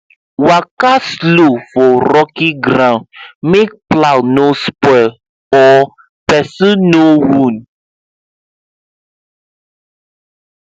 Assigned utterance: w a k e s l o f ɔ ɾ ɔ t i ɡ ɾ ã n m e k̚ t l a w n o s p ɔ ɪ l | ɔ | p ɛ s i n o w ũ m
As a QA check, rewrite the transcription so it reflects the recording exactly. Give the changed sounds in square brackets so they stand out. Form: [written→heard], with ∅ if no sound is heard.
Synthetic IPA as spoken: w a k [e→a] s l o f ɔ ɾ ɔ [t→k] i ɡ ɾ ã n m e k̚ [t→p] l a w n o s p ɔ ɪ l | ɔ | p ɛ s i n o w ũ [m→n]

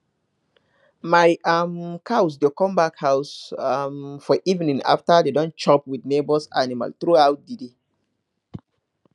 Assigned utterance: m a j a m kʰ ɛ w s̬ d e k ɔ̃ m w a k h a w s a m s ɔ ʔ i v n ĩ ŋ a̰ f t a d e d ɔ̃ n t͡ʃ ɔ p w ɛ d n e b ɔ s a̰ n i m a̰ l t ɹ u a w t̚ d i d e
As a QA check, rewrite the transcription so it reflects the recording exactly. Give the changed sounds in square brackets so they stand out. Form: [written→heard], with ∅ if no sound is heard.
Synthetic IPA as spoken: m a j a m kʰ [ɛ→a] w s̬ d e k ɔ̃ m [w→b] a k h a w s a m [s→f] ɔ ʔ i v n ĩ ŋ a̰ f t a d e d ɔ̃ n t͡ʃ ɔ p w [ɛ→i] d n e b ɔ s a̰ n i m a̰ l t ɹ u a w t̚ d i d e

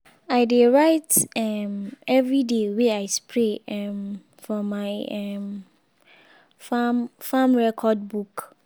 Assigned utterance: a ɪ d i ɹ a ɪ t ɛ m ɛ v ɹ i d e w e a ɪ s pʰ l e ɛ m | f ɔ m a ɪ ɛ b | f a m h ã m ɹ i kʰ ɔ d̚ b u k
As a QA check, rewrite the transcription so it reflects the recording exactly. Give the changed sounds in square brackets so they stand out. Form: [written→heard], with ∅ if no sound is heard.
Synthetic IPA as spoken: a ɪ d [i→e] ɹ a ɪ t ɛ m ɛ v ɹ i d e w e a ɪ s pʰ [l→ɹ] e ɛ m | f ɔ m a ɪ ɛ [b→m] | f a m [h→f] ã m ɹ [i→ɛ] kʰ ɔ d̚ b u k

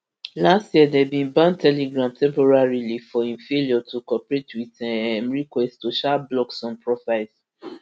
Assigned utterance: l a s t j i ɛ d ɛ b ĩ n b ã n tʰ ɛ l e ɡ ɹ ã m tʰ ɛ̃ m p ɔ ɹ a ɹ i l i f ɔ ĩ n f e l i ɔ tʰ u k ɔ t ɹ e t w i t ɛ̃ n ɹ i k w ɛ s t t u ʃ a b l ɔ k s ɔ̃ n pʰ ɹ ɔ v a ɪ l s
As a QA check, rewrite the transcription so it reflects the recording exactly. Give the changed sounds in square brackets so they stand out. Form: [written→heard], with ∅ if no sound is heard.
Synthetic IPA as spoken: l a s t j i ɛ d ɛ b ĩ n b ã n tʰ ɛ l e ɡ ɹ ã m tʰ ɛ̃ m p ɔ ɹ a ɹ i l i f ɔ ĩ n f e l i ɔ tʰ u k ɔ [t→p] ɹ e t w i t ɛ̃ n ɹ i k w ɛ s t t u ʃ a b l ɔ k s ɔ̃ n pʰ ɹ ɔ [v→f] a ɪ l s

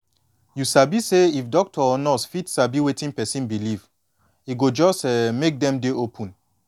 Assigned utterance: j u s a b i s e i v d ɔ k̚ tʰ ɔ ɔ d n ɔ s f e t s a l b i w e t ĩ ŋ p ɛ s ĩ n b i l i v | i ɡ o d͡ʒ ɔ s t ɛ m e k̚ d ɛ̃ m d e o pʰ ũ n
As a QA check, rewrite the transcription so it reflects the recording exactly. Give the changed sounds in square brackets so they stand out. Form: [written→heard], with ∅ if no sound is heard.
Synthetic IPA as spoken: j u s a b i s e i [v→f] d ɔ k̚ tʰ ɔ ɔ [d→∅] n ɔ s f [e→i] t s a [l→∅] b i w e t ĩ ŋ p ɛ s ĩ n b i l i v | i ɡ o d͡ʒ ɔ s t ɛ m e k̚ d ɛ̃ m d e o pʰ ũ n

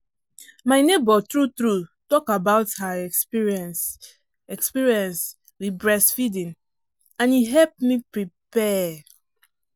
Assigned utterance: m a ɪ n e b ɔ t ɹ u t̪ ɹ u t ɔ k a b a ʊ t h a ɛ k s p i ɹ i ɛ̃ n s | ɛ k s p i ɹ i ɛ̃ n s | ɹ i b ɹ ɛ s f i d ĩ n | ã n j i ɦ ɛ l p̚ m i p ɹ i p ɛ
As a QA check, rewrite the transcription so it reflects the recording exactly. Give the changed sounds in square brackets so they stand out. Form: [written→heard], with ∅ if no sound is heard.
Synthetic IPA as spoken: m a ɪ n e b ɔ t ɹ u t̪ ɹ u t ɔ k a b a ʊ t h a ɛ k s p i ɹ i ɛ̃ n s | ɛ k s p i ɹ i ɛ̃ n s | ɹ i b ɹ ɛ s f i d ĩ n | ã n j i ɦ ɛ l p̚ m i p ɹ i p ɛ

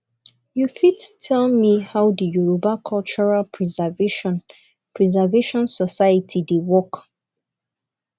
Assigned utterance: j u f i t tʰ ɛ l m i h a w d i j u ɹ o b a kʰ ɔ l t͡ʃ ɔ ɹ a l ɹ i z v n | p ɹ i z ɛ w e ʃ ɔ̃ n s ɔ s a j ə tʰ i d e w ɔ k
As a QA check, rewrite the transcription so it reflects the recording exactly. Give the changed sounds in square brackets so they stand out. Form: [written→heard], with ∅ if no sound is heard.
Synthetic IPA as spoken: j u f i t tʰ ɛ l m i h a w d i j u ɹ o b a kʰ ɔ l t͡ʃ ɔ ɹ a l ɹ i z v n | p ɹ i z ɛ [w→v] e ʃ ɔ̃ n s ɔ s a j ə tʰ i d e w ɔ k

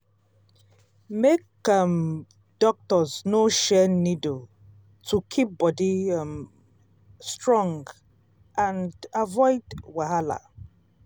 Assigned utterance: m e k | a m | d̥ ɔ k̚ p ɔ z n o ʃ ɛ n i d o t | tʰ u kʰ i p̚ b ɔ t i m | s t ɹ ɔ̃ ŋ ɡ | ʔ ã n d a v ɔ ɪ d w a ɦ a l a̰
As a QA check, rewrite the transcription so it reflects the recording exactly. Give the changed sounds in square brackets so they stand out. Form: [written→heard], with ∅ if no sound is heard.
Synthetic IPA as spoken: m e k | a m | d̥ ɔ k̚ [p→t] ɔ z n o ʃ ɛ n i d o [t→∅] | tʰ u kʰ i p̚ b ɔ [t→d] i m | s t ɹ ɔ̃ ŋ ɡ | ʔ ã n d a v ɔ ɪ d w a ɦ a l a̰

